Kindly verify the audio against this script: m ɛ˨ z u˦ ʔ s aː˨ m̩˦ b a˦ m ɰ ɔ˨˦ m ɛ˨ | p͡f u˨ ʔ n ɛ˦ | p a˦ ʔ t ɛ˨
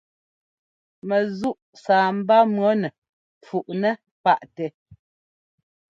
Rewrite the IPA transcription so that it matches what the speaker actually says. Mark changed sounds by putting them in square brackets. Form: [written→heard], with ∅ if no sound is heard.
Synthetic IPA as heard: m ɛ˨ z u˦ ʔ s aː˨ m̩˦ b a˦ m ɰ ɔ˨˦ [m→n] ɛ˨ | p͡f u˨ ʔ n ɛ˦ | p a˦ ʔ t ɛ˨